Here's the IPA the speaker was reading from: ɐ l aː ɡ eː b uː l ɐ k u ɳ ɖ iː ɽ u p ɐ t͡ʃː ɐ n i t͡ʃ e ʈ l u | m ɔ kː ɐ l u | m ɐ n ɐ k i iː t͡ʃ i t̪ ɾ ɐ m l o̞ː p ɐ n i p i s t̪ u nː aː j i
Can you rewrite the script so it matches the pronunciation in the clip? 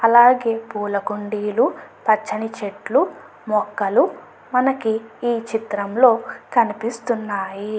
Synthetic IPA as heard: ɐ l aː ɡ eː p uː l ɐ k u ɳ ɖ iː l u p ɐ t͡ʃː ɐ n i t͡ʃ e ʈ l u | m ɔ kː ɐ l u | m ɐ n ɐ k i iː t͡ʃ i t̪ ɾ ɐ m l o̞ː k ɐ n i p i s t̪ u nː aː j i